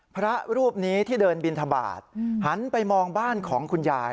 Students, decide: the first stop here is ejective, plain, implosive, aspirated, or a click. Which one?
aspirated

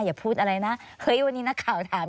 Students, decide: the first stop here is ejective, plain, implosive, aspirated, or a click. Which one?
aspirated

